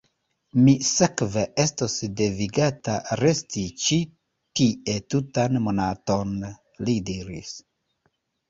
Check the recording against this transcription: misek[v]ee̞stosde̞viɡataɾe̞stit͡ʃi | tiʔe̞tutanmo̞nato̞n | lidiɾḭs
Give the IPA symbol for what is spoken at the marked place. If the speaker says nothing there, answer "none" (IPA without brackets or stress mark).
v